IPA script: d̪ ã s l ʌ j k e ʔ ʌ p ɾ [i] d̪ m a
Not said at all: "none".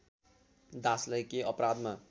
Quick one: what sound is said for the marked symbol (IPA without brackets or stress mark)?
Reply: a